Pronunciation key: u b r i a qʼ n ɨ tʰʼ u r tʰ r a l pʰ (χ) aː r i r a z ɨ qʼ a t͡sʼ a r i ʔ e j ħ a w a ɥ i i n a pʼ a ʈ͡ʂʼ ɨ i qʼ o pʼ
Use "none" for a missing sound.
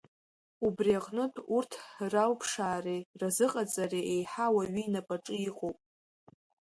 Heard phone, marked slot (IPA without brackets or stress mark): ʂ